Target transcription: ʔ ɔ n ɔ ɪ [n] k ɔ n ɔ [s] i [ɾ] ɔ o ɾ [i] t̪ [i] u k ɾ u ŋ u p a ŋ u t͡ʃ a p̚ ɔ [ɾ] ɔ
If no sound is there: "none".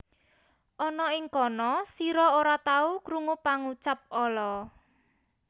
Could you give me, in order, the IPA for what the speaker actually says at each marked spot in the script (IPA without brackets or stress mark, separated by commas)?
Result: ŋ, s, ɾ, a, a, l